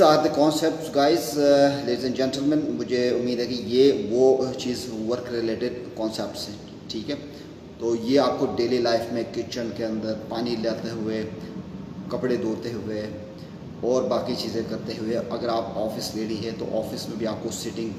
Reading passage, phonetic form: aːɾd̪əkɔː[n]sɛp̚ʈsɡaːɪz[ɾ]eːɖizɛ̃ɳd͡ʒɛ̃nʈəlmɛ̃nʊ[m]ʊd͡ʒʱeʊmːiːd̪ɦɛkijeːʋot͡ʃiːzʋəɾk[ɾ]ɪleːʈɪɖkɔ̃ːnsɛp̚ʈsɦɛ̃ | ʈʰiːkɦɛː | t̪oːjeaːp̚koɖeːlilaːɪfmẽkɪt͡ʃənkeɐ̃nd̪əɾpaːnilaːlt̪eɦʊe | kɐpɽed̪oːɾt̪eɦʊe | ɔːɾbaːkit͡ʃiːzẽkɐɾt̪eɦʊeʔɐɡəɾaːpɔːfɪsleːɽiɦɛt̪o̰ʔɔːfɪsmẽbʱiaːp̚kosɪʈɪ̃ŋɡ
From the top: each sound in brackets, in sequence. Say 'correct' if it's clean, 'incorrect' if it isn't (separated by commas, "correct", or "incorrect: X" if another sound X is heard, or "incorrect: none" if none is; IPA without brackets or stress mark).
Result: correct, incorrect: l, correct, correct